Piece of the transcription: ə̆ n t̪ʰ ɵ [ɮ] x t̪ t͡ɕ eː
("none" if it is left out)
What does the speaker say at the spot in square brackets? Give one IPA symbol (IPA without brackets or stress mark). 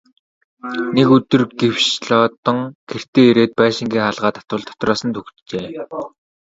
none